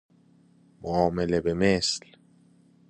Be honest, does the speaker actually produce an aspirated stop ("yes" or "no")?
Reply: no